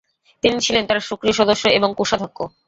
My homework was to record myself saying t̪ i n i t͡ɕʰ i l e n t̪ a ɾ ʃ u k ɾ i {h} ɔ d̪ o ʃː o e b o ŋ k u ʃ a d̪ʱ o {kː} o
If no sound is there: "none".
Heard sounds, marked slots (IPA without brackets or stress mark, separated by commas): ʃ, kː